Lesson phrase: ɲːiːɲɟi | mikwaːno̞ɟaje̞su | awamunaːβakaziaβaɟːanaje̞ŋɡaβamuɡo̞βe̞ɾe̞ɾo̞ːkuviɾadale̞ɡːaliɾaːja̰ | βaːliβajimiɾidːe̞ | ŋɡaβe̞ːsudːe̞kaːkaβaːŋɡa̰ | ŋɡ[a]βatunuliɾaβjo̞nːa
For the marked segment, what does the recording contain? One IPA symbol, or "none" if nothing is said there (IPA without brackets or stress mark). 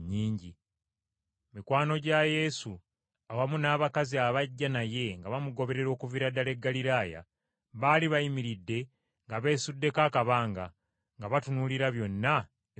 a